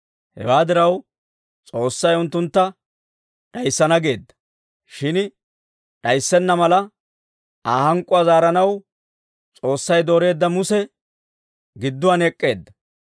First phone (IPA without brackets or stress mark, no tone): h